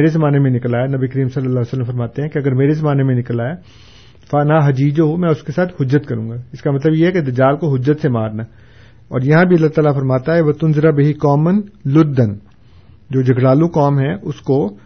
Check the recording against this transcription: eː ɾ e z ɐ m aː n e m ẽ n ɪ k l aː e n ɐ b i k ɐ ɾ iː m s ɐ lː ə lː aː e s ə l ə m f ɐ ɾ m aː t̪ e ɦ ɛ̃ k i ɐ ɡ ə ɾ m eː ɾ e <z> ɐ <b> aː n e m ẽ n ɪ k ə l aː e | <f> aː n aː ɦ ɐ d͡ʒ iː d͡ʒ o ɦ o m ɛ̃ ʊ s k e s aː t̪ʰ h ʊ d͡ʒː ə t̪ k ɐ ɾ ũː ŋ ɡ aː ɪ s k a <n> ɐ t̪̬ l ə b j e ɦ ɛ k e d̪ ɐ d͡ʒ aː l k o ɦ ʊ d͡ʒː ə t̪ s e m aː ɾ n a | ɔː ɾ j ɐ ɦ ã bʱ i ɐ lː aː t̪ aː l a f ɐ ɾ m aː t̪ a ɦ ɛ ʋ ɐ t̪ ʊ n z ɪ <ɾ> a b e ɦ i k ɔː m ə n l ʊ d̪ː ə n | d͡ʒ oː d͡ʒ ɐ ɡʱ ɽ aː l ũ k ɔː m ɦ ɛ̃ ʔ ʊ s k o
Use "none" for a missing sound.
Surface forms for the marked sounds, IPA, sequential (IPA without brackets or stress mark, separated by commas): z, m, f, m, ɾ